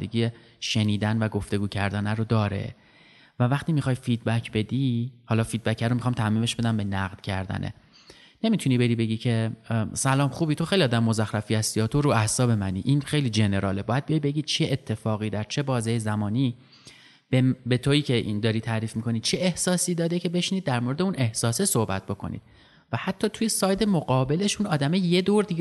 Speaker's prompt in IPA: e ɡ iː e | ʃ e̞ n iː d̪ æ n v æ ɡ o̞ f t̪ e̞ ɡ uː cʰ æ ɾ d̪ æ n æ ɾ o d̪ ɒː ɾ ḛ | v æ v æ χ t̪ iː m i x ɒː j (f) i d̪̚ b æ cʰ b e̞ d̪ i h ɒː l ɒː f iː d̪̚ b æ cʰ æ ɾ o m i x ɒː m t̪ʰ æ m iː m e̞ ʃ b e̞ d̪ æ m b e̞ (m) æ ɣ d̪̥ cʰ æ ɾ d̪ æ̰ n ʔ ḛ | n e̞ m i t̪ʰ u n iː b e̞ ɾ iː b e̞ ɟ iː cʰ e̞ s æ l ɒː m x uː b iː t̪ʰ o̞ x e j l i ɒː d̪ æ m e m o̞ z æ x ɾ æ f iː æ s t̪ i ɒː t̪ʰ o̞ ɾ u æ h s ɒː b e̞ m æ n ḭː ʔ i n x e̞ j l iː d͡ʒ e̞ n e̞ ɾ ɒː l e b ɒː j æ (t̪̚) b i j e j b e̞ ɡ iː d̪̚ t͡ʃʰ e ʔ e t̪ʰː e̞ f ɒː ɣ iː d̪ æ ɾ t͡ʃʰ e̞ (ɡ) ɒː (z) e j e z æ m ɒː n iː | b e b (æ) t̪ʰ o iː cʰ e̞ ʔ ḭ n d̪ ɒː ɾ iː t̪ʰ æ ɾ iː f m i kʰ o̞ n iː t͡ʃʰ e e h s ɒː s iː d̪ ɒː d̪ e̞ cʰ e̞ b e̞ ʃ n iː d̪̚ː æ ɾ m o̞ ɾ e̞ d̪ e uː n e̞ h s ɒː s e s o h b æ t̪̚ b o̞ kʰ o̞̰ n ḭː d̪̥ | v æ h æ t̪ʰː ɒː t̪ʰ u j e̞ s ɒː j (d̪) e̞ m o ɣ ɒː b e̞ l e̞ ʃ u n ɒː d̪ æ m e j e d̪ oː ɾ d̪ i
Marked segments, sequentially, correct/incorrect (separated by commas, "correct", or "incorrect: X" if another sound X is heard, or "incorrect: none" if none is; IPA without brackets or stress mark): correct, incorrect: n, incorrect: d̪̚, incorrect: b, correct, incorrect: e, correct